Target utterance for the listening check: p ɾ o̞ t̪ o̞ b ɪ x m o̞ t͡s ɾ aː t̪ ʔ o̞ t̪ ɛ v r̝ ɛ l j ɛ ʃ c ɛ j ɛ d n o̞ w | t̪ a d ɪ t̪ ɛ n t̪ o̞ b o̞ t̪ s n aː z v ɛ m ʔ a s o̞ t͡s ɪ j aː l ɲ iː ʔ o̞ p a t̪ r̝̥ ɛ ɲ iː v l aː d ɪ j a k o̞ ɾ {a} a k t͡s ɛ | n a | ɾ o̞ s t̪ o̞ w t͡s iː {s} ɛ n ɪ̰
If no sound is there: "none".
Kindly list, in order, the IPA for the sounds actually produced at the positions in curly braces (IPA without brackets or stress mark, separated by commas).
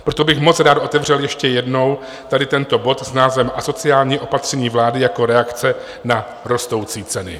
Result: ɛ, t͡s